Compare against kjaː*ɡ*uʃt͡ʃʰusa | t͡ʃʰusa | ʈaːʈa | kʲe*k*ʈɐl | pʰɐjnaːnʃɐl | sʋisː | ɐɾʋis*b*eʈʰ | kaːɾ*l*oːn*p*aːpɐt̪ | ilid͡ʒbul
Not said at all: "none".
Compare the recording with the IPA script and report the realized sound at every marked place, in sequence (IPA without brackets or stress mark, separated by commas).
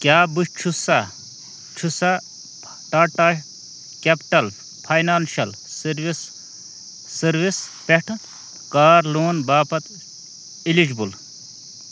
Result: b, p, p, l, b